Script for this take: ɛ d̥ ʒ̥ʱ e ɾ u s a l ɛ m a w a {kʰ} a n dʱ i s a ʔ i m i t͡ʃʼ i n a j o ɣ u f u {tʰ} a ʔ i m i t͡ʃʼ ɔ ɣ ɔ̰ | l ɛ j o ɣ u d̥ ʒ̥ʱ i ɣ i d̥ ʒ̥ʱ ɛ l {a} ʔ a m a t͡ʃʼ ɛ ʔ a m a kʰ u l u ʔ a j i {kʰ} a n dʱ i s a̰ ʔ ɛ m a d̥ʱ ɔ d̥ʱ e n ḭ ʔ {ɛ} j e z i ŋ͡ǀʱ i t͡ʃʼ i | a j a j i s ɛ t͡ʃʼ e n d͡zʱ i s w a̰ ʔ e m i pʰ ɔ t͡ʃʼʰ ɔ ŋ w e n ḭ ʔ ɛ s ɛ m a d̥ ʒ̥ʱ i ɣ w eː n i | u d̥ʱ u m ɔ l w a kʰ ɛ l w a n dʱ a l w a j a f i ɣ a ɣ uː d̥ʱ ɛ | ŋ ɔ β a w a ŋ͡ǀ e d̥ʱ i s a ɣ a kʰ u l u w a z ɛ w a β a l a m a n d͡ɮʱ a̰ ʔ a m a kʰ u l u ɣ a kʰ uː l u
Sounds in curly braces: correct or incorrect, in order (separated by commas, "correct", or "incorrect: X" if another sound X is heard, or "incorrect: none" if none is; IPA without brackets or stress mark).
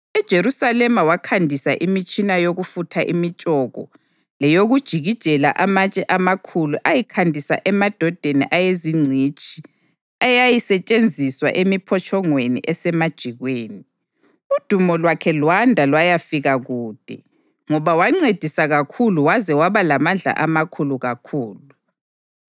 correct, correct, correct, correct, incorrect: a